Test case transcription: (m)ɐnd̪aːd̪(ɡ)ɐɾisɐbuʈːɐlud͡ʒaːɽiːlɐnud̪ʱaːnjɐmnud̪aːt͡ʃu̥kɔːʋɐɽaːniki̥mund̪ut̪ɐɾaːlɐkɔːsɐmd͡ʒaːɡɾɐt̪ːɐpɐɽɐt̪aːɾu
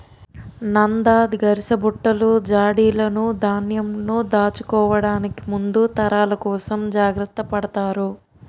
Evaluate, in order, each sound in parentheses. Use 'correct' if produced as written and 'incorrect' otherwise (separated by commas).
incorrect, correct